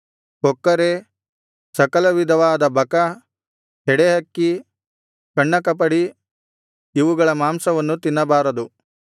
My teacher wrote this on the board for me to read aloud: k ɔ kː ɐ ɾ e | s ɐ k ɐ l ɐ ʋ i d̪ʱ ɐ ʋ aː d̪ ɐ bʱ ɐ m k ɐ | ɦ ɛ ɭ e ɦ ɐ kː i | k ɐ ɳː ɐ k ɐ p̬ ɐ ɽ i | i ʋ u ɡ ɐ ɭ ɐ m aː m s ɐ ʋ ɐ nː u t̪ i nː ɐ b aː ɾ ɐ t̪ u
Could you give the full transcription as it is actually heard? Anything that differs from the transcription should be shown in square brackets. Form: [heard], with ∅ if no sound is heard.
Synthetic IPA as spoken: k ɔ kː ɐ ɾ e | s ɐ k ɐ l ɐ ʋ i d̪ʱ ɐ ʋ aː d̪ ɐ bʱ ɐ [∅] k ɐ | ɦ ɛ [ɽ] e ɦ ɐ kː i | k ɐ ɳː ɐ k ɐ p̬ ɐ ɽ i | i ʋ u ɡ ɐ ɭ ɐ m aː m s ɐ ʋ ɐ nː u t̪ i nː ɐ b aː ɾ ɐ [d̪] u